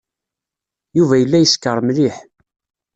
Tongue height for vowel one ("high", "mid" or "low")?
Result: high